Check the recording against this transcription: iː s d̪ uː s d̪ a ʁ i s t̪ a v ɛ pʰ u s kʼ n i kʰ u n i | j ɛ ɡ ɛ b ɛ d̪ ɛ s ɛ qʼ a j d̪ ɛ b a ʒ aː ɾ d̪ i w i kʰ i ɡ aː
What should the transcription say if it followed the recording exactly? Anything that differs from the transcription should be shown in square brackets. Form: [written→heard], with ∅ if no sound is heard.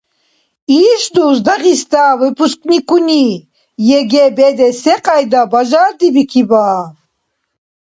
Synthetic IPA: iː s d̪ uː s d̪ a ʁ i s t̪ a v ɛ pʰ u s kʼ n i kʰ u n i | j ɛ ɡ ɛ b ɛ d̪ ɛ s ɛ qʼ a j d̪ [ɛ→a] b a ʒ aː ɾ d̪ i [w→b] i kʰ i [ɡ→b] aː